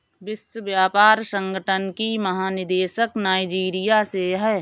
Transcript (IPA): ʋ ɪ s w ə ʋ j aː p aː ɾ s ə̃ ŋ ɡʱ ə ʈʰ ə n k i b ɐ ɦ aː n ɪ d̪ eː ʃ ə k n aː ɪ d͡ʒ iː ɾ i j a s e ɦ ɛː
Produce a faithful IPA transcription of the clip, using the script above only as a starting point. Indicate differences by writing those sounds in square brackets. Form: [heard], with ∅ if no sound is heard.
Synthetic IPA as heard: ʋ ɪ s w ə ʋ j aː p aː ɾ s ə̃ ŋ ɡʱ ə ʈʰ ə n k i [m] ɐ ɦ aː n ɪ d̪ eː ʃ ə k n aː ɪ d͡ʒ iː ɾ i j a s e ɦ ɛː